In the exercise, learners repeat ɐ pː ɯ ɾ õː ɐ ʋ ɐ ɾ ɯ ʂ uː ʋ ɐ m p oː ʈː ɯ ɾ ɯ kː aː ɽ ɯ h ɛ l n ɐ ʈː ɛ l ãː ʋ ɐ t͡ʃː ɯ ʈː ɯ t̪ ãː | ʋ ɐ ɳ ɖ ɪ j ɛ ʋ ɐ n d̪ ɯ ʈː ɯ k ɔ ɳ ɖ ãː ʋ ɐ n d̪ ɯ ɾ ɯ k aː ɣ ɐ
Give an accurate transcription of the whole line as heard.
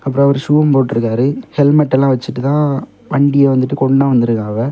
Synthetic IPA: ɐ pː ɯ ɾ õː ɐ ʋ ɐ ɾ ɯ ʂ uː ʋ ɐ m p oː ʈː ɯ ɾ ɯ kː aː ɾ ɯ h ɛ l m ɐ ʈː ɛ l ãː ʋ ɐ t͡ʃː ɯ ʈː ɯ t̪ ãː | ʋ ɐ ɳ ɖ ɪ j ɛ ʋ ɐ n d̪ ɯ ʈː ɯ k ɔ ɳ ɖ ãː ʋ ɐ n d̪ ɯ ɾ ɯ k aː ɣ ɐ